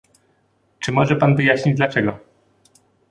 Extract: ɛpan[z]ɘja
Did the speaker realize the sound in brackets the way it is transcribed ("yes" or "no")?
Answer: no